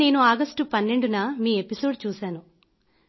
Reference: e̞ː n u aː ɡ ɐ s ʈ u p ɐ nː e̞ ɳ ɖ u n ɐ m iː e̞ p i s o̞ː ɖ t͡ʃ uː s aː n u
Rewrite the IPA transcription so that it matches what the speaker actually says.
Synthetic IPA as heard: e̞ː n u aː ɡ ɐ s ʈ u p ɐ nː e̞ ɳ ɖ u n ɐ m iː e̞ p i s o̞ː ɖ t͡ʃ uː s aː n u